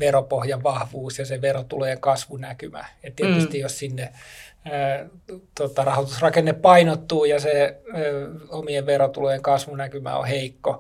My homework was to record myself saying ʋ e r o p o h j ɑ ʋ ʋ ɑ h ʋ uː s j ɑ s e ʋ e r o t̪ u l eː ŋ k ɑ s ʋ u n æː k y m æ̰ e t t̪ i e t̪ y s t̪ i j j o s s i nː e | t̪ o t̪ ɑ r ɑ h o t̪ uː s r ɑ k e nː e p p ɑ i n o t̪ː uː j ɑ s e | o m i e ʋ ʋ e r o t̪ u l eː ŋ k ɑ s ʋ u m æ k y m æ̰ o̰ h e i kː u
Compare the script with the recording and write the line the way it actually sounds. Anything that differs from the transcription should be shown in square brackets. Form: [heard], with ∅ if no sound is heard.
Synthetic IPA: ʋ e r o p o h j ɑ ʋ ʋ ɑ h ʋ uː s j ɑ s e ʋ e r o t̪ u l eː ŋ k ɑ s ʋ u n [æ] k y m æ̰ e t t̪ i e t̪ y s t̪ i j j o s s i nː e | t̪ o t̪ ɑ r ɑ h o t̪ [u] s r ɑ k e nː e p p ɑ i n o t̪ː uː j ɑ s e | o m i e ʋ ʋ e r o t̪ u l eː ŋ k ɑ s ʋ u [n] æ k y m æ̰ o̰ h e i kː [o]